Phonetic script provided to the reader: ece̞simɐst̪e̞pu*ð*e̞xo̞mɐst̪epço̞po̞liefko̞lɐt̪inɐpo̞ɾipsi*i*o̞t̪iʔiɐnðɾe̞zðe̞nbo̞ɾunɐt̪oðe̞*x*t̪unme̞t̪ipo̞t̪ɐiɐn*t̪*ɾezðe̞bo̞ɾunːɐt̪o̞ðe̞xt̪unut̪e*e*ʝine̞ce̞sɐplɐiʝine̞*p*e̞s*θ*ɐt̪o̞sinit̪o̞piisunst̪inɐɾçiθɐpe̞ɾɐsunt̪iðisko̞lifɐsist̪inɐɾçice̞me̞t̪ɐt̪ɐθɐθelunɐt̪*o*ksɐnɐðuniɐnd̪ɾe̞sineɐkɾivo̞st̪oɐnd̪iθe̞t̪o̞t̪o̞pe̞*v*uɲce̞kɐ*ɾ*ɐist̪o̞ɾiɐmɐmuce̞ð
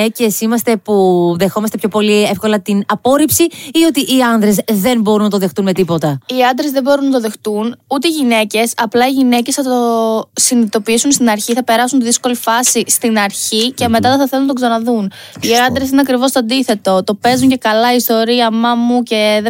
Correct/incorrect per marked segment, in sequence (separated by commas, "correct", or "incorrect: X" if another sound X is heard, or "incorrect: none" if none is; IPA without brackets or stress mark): correct, correct, correct, incorrect: d̪, incorrect: i, incorrect: c, correct, correct, incorrect: z, incorrect: l